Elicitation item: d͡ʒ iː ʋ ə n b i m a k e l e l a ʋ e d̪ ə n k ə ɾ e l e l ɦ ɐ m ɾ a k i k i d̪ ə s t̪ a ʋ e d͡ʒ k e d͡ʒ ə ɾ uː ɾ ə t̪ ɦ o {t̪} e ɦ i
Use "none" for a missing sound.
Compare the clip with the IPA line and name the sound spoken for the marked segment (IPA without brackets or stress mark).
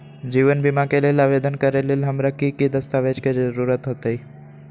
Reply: t̪